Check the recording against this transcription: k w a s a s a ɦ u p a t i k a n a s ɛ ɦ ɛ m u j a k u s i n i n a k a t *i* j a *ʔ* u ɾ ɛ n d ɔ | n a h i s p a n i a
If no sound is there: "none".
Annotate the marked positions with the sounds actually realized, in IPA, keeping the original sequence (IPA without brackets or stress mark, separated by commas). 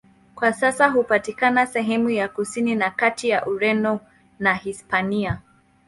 i, ʔ